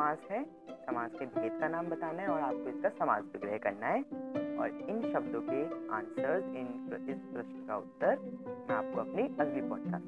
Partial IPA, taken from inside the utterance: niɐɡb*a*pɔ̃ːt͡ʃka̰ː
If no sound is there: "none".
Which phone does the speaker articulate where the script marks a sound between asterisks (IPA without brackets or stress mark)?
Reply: i